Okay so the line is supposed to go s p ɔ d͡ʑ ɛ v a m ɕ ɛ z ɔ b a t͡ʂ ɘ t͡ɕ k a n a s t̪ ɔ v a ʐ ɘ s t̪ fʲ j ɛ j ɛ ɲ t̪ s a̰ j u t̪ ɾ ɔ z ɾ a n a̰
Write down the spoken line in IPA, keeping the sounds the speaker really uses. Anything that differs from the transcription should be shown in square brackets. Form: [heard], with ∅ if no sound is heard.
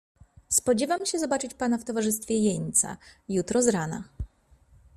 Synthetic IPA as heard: s p ɔ d͡ʑ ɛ v a m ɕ ɛ z ɔ b a t͡ʂ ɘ t͡ɕ [p] a n a [f] t̪ ɔ v a ʐ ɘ s t̪ fʲ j ɛ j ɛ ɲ t̪ s a̰ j u t̪ ɾ ɔ z ɾ a n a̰